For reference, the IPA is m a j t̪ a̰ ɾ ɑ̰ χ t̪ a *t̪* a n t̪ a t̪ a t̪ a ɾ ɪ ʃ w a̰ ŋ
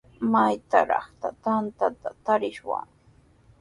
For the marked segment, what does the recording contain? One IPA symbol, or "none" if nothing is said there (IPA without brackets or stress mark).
t̪